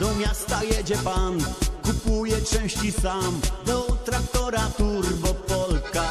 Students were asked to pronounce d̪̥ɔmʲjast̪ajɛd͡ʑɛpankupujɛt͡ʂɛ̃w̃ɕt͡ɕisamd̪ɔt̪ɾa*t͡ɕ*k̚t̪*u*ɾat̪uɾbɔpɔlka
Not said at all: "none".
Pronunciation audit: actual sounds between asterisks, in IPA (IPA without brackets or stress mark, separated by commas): none, ɔ